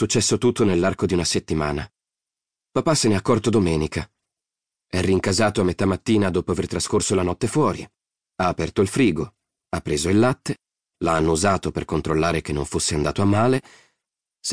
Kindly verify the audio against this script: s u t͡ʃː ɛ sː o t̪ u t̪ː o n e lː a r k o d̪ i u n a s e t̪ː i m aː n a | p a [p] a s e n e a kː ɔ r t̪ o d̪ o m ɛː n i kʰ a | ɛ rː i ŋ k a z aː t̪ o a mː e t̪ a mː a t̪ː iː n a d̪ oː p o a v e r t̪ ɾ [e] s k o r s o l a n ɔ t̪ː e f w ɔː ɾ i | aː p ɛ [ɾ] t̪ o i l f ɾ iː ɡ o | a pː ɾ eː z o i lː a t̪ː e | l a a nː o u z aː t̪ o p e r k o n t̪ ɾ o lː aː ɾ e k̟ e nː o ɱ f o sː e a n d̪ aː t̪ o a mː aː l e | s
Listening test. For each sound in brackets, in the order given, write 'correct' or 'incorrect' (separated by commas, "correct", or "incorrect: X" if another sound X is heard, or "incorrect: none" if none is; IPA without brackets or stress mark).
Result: correct, incorrect: a, incorrect: r